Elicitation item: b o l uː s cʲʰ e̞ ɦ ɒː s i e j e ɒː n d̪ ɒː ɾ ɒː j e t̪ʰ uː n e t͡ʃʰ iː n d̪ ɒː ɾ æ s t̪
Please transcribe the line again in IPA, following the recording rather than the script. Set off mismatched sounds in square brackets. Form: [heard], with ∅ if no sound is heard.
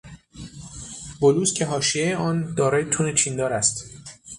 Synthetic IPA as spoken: b o l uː s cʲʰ e̞ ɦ ɒː [ʃ] i e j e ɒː n d̪ ɒː ɾ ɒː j e t̪ʰ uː n e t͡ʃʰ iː n d̪ ɒː ɾ æ s t̪